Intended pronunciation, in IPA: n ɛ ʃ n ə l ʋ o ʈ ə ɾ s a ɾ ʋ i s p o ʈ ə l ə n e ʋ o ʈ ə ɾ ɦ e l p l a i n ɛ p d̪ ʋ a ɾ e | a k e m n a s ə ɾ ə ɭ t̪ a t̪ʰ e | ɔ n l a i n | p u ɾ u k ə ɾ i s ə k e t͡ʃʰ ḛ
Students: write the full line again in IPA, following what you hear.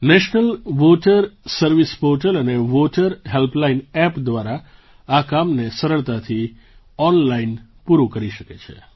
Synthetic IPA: n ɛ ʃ n ə l ʋ o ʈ ə ɾ s ə ɾ ʋ i s p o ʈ ə l ə n e ʋ o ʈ ə ɾ ɦ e l p l a i n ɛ p d̪ ʋ a ɾ a | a k a m n e s ə ɾ ə ɭ t̪ a t̪ʰ i | ɔ n l a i n | p u ɾ u k ə ɾ i ʃ ə k e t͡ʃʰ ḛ